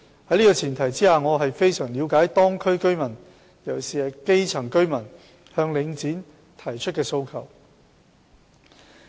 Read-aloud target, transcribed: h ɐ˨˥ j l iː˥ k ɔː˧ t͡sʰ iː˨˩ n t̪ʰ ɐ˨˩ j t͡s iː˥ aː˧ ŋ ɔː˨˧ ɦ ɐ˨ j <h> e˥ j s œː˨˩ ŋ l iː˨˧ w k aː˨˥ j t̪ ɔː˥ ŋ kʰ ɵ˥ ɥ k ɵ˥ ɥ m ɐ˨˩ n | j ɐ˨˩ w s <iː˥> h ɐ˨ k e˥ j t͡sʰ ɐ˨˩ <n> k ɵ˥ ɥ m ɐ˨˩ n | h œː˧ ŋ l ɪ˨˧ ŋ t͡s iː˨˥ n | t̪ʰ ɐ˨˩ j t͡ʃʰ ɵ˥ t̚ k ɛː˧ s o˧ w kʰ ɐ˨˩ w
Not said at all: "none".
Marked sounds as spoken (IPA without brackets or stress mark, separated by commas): f, iː˨, ŋ